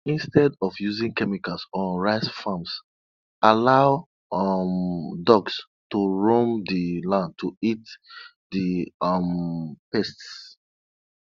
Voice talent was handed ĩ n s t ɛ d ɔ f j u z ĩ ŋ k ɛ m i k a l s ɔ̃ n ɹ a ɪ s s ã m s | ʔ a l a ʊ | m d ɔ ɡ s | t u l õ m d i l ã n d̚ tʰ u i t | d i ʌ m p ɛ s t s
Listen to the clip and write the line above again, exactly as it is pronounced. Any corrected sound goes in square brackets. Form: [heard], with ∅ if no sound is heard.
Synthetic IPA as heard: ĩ n s t ɛ d ɔ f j u z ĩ ŋ k ɛ m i k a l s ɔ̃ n ɹ a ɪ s [f] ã m s | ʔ a l a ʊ | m d ɔ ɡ s | t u [ɹ] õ m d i l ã n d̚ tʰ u i t | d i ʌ m p ɛ s t s

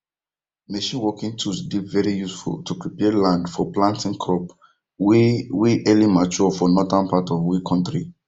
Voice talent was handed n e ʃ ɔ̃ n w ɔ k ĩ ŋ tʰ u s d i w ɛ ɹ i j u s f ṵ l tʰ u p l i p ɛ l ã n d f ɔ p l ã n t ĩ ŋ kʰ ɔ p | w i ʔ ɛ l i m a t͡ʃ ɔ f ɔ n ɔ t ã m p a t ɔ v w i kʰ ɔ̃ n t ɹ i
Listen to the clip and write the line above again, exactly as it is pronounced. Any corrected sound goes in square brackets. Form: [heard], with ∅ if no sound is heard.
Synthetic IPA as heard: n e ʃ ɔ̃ n w ɔ k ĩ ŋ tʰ u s d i [v] ɛ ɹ i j u s f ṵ l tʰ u p [ɹ] i p ɛ l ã n d f ɔ p l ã n t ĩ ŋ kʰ ɔ p | w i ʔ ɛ l i m a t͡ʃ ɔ f ɔ n ɔ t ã [n] p a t ɔ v w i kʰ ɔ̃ n t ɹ i

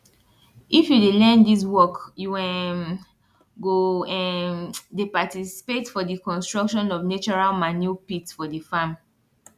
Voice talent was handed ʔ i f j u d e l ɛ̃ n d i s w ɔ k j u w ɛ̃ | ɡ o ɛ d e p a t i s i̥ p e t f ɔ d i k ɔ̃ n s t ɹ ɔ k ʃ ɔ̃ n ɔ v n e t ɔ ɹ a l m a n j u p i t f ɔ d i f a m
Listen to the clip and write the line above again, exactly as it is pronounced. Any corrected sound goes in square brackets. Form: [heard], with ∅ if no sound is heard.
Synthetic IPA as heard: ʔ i f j u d e l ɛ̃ n d i s w ɔ k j u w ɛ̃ | ɡ o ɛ d e p a t i s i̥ p e t f ɔ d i k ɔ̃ n s t ɹ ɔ k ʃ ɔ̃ n ɔ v n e [t͡ʃ] ɔ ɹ a l m a n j u p i t f ɔ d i f a m

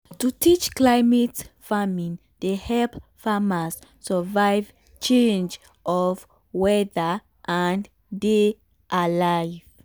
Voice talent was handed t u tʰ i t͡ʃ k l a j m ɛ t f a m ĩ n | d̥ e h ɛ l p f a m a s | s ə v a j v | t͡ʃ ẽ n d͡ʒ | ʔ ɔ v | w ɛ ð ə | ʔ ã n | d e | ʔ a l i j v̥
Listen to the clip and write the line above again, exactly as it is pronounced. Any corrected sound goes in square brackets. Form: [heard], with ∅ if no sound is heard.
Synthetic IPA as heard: t u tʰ i t͡ʃ k l a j m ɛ t f a m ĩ n | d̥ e h ɛ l p f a m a s | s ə v a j v | t͡ʃ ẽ n d͡ʒ | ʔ ɔ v | w ɛ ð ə | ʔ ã n | d e | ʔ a l [a] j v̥

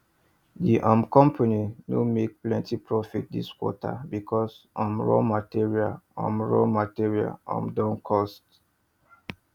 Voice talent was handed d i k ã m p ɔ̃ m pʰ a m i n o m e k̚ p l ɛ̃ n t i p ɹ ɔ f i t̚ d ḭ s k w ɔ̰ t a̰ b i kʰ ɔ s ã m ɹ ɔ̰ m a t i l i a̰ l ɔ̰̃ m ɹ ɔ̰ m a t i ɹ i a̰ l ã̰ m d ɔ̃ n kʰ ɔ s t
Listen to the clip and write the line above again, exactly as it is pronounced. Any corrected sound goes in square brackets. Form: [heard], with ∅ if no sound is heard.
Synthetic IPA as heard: d i [ʔ] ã m [k] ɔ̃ m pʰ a [n] i n o m e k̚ p l ɛ̃ n t i p ɹ ɔ f i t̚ d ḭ s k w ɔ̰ t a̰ b i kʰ ɔ s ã m ɹ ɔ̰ m a t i [ɹ] i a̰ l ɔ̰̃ m ɹ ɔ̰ m a t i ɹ i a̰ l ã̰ m d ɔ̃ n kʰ ɔ s t

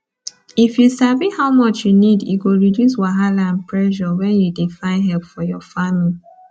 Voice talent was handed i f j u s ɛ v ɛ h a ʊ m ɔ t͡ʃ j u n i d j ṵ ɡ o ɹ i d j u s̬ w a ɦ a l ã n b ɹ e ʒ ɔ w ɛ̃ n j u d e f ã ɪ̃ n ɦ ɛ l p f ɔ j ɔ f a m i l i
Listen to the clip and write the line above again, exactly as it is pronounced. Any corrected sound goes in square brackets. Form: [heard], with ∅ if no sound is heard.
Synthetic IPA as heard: i f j u s [a] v [i] h a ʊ m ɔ t͡ʃ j u n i d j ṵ ɡ o ɹ i d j u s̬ w a ɦ a l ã n [p] ɹ [ɛ] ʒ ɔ w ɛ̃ n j u d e f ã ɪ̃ n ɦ ɛ l p f ɔ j ɔ f a m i l i

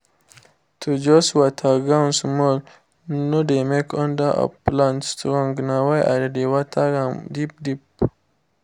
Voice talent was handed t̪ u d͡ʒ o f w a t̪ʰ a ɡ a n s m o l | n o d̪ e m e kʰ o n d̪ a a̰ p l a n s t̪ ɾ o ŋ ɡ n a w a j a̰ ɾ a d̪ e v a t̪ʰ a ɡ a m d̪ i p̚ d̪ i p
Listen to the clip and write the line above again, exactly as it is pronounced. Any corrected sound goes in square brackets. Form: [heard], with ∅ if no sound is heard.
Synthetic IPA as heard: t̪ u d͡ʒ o [s] w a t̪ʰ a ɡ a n s m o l | n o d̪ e m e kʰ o n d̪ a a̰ p l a n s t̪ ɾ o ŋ ɡ n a w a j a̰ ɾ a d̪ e [w] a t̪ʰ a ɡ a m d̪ i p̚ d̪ i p

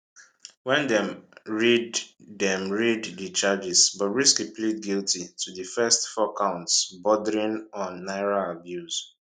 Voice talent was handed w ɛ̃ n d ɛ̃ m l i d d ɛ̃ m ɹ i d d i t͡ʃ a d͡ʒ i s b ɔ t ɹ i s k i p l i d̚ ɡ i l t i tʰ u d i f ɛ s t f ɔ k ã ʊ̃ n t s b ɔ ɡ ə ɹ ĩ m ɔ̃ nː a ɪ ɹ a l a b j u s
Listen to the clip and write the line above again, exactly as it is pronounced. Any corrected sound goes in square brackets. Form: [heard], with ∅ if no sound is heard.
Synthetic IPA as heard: w ɛ̃ n d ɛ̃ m [ɹ] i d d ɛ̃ m ɹ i d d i t͡ʃ a d͡ʒ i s b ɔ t ɹ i s k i p l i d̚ ɡ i l t i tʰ u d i f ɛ s t f ɔ k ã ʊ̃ n t s b ɔ [d] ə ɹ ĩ [n] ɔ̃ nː a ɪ ɹ a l a b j u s

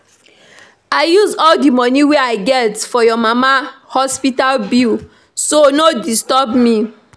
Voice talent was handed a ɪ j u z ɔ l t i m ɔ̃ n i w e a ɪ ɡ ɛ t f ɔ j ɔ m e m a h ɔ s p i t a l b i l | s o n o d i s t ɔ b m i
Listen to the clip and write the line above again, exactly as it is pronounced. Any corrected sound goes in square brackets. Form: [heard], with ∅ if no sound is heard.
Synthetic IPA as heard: a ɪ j u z ɔ l [d] i m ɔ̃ n i w e a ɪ ɡ ɛ t f ɔ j ɔ m [a] m a h ɔ s p i t a l b i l | s o n o d i s t ɔ b m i

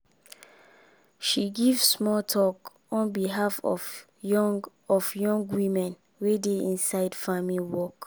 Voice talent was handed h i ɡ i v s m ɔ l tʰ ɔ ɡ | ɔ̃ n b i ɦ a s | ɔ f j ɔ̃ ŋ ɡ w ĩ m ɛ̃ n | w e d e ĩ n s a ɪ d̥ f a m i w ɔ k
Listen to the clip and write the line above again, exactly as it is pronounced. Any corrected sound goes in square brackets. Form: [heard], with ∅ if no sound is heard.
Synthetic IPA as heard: [ʃ] i ɡ i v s m ɔ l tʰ ɔ [k] | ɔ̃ n b i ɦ a [f] | ɔ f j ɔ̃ ŋ ɡ w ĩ m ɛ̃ n | w e d e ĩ n s a ɪ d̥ f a m i w ɔ k

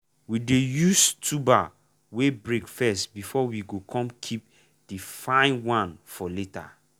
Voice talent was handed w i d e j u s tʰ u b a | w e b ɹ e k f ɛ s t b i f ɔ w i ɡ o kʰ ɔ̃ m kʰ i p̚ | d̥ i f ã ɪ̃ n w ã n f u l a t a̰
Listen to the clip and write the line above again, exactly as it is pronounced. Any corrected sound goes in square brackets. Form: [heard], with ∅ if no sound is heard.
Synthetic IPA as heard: w i d e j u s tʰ u b a | w e b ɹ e k f ɛ s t b i f ɔ w i ɡ o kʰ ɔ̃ m kʰ i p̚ | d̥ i f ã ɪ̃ n w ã n f [ɔ] l [e] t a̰

